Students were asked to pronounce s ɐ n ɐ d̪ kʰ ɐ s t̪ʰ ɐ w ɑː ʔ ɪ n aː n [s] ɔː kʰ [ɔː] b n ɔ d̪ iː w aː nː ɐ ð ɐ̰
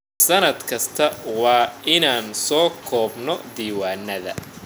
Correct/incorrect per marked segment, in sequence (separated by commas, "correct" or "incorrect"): correct, correct